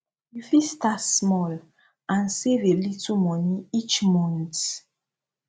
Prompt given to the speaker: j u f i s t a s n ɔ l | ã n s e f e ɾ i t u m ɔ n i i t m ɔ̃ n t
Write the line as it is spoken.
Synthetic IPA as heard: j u f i s t a s m ɔ l | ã n s e v e l i t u m ɔ n i i t͡ʃ m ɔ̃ n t